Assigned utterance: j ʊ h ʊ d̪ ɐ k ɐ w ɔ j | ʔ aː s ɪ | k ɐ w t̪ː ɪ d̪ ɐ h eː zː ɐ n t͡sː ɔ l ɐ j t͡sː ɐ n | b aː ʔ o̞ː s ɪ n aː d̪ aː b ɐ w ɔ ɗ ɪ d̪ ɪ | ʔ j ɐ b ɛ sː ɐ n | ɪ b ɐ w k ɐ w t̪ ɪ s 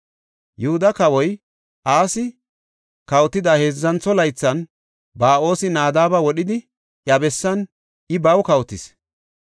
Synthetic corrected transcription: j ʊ h ʊ d̪ ɐ k ɐ w ɔ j | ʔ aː s ɪ | k ɐ w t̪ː ɪ d̪ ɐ h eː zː ɐ n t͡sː ɔ l ɐ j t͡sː ɐ n | b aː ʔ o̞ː s ɪ n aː d̪ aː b ɐ w ɔ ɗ ɪ d̪ ɪ | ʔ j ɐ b ɛ sː ɐ n | ɪ b ɐ w k ɐ w t̪ ɪ s